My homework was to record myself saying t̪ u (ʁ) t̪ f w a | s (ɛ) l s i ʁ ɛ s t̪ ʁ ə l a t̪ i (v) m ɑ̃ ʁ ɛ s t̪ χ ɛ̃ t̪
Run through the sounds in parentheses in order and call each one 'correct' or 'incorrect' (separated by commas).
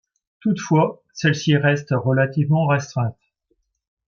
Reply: incorrect, correct, correct